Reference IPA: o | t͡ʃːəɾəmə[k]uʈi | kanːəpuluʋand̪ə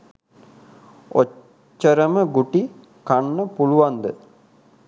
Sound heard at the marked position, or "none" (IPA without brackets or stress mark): ɡ